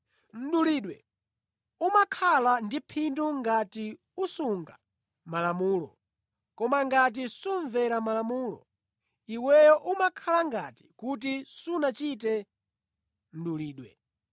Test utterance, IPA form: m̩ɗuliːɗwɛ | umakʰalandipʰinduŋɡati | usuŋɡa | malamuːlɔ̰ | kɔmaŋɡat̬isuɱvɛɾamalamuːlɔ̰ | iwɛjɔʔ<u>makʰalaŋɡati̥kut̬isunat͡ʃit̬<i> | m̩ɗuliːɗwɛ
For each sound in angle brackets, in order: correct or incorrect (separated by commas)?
correct, incorrect